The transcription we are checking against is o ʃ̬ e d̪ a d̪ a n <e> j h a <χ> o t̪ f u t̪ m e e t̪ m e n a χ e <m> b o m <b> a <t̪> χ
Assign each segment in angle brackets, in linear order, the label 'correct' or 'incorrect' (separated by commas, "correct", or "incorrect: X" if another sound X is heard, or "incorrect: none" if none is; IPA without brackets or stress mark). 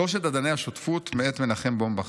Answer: correct, incorrect: ʃ, correct, correct, incorrect: none